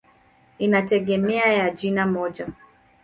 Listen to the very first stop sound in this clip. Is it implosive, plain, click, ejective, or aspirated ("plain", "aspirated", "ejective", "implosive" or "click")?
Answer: plain